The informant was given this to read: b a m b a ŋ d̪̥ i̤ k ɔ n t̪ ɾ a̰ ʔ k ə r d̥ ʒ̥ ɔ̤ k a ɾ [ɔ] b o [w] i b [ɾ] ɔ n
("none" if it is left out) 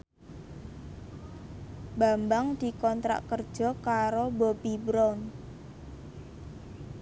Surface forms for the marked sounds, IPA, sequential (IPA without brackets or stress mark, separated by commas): o, b, ɾ